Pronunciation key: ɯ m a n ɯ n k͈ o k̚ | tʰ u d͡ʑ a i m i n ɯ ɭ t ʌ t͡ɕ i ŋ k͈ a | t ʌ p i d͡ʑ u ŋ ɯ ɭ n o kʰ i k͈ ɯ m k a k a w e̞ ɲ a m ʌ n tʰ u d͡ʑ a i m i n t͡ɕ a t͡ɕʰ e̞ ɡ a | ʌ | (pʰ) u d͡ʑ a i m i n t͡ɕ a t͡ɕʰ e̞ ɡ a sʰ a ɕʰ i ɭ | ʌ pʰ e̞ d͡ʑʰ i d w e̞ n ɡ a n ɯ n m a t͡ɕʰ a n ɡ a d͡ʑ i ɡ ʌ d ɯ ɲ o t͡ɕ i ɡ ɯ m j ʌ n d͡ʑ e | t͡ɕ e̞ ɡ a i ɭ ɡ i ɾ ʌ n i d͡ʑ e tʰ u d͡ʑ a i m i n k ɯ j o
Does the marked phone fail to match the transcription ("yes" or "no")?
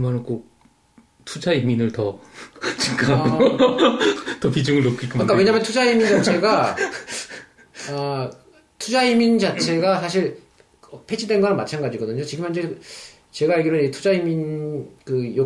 yes